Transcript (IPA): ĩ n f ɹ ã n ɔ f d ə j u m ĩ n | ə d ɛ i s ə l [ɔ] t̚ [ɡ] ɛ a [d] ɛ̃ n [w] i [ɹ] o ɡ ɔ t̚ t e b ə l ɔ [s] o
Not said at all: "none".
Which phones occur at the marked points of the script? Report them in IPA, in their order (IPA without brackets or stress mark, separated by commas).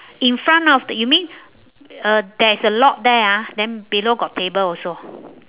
ɔ, d, d, b, l, s